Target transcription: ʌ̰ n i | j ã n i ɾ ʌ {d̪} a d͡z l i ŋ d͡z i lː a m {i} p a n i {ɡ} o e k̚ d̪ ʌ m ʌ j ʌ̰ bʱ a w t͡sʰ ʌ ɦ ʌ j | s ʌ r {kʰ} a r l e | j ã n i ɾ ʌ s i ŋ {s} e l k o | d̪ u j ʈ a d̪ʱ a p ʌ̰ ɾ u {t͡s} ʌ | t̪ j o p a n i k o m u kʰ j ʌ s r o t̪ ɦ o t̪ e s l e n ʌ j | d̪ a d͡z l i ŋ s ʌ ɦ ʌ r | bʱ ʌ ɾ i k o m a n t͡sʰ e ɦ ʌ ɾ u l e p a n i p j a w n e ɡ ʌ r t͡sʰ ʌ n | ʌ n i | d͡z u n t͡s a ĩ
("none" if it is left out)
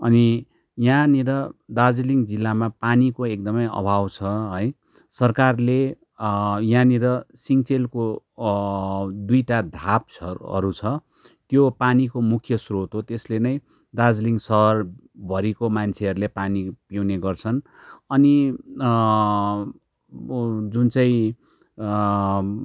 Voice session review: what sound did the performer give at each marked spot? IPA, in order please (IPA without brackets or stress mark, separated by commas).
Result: d̪, a, k, k, t͡s, t͡sʰ